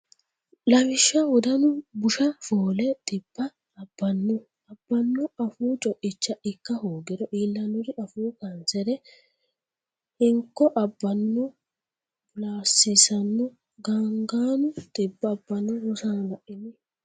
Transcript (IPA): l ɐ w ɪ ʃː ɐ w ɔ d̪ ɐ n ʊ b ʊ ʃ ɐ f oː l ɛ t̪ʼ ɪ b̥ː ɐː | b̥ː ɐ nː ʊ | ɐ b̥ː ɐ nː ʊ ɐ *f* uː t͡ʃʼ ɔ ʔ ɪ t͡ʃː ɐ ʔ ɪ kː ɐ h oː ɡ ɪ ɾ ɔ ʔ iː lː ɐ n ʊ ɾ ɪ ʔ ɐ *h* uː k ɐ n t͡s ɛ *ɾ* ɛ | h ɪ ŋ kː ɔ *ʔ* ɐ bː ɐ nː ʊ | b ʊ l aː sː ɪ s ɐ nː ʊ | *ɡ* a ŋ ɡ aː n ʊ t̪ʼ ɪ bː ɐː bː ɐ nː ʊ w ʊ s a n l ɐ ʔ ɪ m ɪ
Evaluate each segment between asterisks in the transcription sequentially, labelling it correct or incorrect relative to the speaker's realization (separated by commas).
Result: correct, incorrect, correct, correct, correct